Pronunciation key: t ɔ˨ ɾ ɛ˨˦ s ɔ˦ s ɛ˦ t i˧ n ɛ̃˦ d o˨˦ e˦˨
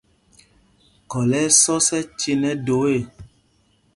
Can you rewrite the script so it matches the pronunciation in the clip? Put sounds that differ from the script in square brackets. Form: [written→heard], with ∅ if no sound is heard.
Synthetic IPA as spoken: [t→k] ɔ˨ [ɾ→l] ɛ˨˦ s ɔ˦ s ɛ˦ [t→t͡ʃ] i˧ n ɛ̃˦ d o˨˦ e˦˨